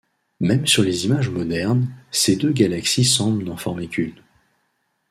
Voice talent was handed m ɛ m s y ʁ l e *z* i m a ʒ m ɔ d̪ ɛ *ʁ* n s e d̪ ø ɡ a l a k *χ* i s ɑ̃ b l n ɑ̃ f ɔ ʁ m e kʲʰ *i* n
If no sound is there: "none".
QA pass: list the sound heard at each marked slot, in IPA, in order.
z, ʁ, s, y

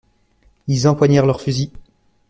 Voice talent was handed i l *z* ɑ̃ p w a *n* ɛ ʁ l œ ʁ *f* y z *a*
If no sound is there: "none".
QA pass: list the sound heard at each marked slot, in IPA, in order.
z, ɲ, f, i

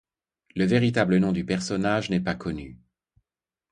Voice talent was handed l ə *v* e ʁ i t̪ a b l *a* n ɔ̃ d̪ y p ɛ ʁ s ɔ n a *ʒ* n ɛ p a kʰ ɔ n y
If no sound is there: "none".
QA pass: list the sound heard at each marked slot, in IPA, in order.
v, ə, ʒ

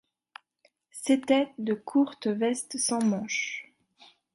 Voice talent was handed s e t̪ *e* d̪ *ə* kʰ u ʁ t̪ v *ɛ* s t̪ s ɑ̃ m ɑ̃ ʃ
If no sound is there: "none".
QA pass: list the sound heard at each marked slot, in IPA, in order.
ɛ, ə, ɛ

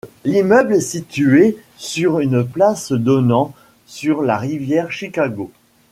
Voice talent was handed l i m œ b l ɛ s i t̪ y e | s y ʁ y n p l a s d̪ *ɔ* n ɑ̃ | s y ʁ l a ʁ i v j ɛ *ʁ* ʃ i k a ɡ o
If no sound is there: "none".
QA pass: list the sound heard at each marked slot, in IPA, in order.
ɔ, ʁ

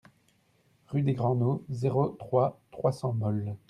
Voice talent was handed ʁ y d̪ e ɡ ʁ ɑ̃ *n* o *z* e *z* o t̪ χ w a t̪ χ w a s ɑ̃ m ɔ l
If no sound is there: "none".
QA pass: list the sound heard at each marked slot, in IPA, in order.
n, z, ʁ

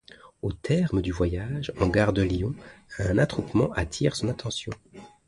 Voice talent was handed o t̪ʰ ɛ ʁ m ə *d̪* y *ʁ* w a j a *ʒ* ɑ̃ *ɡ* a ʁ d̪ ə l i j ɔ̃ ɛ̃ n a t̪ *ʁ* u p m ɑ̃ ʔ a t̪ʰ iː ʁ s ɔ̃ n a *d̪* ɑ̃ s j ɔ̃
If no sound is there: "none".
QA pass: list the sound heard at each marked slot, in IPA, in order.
d̪, v, ʒ, ɡ, χ, t̪

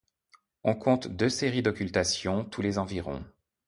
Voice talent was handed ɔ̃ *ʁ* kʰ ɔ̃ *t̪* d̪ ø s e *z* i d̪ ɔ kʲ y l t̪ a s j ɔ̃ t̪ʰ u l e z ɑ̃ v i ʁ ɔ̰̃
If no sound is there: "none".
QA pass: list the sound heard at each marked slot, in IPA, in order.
none, t̪, ʁ

